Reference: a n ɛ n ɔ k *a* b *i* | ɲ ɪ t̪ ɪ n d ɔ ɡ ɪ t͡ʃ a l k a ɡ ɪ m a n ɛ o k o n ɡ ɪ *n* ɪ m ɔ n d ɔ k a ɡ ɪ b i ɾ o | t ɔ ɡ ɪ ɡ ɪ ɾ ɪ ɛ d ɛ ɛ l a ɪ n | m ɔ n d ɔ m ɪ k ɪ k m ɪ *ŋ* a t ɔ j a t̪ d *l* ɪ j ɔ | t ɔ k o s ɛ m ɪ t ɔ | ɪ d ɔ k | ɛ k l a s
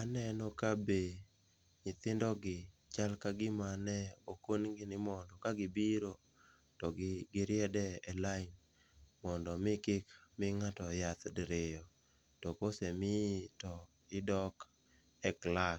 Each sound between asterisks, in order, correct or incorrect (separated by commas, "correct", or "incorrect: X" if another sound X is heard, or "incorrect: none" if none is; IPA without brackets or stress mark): correct, incorrect: e, correct, correct, incorrect: ɾ